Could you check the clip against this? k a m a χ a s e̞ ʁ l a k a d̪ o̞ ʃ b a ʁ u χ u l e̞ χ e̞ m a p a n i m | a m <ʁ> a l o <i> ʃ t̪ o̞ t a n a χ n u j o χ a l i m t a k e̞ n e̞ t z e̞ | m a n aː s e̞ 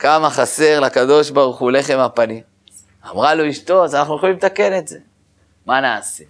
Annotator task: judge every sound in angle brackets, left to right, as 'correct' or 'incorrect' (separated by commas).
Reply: correct, correct